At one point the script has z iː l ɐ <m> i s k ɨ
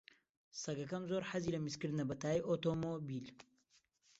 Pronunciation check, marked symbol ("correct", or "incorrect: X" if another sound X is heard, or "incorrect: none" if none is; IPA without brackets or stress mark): correct